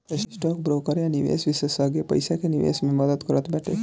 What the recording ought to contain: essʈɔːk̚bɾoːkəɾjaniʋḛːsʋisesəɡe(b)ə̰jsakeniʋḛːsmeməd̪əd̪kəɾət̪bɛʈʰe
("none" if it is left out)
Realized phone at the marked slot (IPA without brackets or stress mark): p